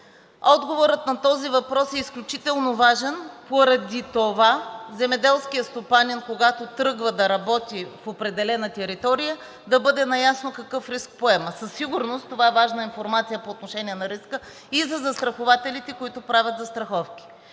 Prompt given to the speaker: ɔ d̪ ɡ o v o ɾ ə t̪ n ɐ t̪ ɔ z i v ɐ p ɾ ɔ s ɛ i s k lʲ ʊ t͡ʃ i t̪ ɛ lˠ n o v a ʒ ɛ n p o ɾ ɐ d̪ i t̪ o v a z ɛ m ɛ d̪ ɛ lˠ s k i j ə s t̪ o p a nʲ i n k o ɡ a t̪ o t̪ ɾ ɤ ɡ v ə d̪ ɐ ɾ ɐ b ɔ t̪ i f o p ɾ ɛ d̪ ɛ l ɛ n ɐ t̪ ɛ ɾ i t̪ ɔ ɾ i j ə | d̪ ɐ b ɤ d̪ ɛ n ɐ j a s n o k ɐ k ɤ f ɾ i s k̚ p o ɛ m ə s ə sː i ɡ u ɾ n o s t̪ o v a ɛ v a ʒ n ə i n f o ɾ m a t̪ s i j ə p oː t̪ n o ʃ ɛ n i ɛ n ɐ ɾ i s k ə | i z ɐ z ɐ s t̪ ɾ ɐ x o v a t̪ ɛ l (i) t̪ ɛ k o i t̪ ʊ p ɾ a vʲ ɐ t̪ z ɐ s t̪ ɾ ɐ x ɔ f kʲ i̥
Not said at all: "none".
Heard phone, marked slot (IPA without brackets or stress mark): i